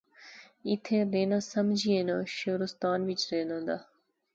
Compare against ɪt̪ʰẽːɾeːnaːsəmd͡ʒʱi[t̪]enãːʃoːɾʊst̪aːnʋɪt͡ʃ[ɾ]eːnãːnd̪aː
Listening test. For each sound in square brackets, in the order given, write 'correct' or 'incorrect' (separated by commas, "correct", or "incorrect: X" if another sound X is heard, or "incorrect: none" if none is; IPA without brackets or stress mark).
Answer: incorrect: none, correct